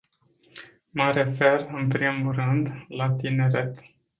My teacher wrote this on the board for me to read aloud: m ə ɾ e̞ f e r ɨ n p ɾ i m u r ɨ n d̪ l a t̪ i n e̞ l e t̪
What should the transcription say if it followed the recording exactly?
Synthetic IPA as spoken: m ə ɾ e̞ f e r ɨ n p ɾ i m u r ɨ n d̪ l a t̪ i n e̞ ɾ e t̪